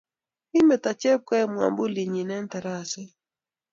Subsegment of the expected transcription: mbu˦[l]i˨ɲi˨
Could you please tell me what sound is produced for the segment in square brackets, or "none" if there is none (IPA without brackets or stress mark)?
l